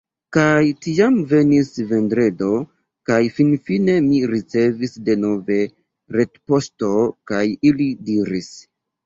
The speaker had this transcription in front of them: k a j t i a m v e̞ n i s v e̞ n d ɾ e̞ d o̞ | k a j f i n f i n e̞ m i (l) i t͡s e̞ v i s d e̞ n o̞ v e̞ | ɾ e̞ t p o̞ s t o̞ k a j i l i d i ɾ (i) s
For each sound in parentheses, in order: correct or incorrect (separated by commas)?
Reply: incorrect, correct